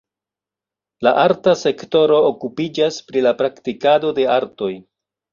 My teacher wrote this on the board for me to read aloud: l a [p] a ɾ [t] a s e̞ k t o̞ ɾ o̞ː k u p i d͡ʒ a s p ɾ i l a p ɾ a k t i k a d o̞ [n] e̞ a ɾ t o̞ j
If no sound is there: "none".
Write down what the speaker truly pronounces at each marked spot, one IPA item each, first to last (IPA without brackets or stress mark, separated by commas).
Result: ʔ, t, d